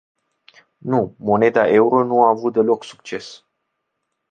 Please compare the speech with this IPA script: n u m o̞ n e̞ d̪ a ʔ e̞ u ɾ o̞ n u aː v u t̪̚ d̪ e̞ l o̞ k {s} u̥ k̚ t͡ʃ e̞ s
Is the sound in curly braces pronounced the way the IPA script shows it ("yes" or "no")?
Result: yes